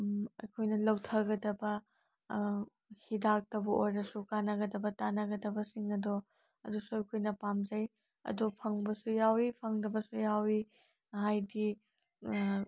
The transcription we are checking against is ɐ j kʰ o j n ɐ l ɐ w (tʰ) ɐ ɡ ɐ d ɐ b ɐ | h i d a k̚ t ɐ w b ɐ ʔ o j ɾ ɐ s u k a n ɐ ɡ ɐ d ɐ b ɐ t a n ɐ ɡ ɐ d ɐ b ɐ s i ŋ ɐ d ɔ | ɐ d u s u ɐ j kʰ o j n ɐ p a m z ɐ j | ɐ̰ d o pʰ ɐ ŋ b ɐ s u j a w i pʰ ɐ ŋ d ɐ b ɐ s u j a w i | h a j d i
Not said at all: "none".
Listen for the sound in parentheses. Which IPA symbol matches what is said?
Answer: tʰ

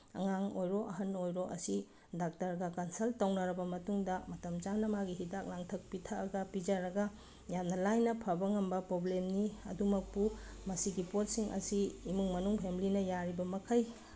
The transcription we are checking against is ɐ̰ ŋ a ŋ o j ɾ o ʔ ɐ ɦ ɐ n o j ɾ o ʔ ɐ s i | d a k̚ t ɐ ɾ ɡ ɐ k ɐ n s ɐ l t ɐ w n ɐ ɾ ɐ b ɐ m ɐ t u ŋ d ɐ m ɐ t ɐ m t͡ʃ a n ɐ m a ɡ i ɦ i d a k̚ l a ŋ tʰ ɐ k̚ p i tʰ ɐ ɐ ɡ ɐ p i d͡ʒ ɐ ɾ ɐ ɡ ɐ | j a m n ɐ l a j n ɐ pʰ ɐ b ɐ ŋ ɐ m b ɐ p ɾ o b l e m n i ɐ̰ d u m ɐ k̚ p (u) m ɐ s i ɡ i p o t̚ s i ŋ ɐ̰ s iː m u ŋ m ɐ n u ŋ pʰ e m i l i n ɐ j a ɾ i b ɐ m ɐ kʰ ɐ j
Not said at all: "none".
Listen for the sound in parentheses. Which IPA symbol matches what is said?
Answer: u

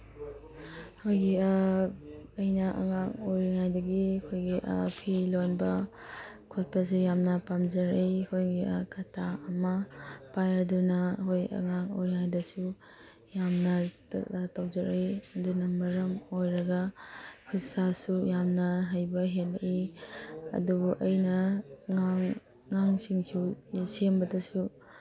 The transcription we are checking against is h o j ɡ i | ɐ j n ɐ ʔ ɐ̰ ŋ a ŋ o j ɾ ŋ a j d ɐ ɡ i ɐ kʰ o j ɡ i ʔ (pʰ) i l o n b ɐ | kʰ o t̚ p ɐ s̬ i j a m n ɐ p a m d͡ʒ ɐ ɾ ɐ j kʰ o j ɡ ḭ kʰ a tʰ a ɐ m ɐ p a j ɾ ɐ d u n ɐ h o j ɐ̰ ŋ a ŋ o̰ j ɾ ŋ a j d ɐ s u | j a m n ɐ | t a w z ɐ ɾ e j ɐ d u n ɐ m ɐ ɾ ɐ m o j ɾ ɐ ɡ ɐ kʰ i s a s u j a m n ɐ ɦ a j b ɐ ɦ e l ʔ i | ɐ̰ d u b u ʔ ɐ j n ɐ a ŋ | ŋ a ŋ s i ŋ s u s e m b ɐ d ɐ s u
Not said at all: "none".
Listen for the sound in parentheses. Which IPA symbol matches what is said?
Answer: pʰ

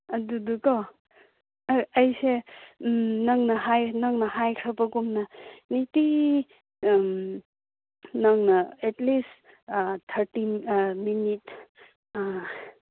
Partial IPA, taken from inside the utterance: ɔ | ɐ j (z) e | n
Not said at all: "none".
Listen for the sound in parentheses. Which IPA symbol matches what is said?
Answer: s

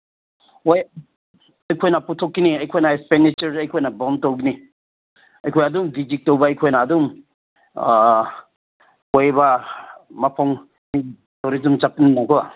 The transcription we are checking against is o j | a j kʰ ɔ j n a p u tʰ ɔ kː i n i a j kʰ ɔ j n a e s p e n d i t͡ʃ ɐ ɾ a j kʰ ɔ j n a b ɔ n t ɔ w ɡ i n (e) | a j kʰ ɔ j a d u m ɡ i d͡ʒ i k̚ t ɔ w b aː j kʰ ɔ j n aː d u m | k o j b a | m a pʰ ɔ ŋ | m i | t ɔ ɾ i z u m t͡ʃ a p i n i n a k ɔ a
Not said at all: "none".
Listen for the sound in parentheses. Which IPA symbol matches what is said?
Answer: i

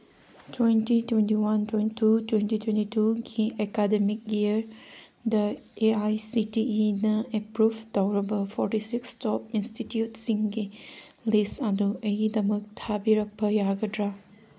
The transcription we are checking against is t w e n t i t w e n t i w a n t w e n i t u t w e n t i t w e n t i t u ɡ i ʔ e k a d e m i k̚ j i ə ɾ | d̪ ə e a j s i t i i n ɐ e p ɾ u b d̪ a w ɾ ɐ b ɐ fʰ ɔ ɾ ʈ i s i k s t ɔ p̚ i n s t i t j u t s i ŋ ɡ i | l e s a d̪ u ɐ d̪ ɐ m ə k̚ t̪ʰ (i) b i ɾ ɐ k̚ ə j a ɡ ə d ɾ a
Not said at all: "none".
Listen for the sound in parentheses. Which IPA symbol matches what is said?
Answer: a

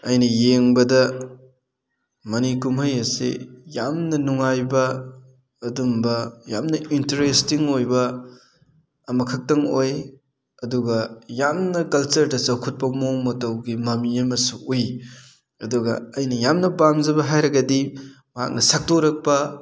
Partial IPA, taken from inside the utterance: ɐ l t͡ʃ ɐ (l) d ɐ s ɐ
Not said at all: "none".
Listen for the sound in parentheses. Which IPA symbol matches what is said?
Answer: ɾ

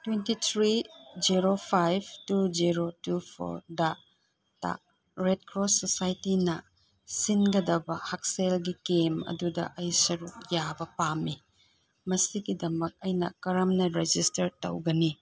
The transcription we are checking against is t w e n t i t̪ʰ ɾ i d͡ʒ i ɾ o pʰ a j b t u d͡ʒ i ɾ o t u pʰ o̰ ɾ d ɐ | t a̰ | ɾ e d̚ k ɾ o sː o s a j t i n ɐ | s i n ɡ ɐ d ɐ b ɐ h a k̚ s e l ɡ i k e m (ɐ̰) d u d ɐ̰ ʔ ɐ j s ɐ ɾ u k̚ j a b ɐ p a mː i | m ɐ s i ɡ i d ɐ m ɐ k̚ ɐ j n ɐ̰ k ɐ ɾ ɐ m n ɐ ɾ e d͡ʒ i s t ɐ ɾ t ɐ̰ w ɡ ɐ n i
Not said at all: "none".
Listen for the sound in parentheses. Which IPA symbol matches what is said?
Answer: ɐ̰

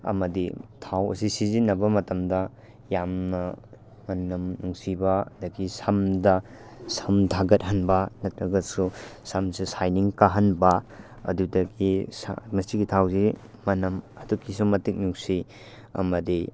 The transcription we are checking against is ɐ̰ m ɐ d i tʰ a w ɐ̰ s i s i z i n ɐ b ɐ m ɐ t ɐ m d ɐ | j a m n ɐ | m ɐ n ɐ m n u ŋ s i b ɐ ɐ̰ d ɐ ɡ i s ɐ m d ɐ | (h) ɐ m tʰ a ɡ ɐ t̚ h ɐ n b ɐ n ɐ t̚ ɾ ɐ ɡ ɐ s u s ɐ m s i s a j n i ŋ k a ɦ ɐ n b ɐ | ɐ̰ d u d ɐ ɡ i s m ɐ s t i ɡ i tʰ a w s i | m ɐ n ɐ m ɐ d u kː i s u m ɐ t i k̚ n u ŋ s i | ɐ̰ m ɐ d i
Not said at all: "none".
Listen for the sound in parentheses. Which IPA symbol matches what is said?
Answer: s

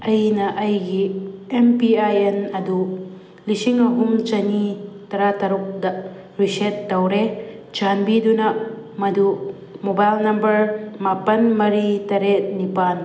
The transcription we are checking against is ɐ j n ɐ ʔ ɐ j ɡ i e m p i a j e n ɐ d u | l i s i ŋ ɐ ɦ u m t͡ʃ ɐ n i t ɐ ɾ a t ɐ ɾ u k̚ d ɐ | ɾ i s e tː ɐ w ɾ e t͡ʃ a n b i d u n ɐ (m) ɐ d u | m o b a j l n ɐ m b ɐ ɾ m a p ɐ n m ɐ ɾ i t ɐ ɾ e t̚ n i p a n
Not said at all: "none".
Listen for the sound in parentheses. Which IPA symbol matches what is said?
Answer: m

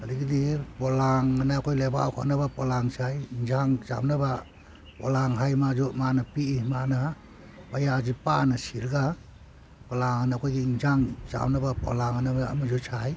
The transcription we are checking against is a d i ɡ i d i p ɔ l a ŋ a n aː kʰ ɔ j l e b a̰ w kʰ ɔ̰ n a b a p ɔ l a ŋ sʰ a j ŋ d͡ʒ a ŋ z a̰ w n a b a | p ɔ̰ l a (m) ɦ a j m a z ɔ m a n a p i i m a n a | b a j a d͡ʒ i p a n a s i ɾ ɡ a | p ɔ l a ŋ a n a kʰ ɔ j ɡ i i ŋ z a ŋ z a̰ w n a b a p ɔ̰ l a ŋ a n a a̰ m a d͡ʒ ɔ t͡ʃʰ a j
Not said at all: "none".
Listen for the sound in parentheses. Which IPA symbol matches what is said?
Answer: ŋ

